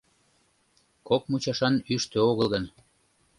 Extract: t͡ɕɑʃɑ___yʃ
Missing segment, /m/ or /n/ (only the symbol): n